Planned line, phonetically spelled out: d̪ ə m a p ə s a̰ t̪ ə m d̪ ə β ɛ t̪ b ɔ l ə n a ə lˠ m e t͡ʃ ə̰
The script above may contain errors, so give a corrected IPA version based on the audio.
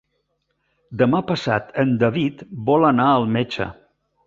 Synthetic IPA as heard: d̪ ə m a p ə s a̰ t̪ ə n d̪ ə β i t̪ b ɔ l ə n a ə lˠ m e t͡ʃ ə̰